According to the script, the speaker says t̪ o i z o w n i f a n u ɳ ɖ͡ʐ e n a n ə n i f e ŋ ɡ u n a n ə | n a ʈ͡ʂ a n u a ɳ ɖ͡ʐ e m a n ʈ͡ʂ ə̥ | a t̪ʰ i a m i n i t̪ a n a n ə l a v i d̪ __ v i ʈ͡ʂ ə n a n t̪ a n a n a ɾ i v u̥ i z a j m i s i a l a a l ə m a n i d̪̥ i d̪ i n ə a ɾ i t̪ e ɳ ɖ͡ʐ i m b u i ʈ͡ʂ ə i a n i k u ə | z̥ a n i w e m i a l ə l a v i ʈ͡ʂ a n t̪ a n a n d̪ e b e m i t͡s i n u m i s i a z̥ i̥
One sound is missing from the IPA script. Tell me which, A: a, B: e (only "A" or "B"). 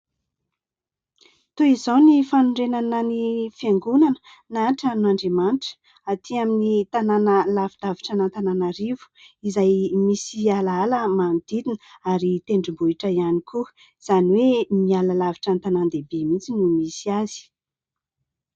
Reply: A